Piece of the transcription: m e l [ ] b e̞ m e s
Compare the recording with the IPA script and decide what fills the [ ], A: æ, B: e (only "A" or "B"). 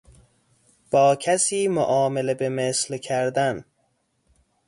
B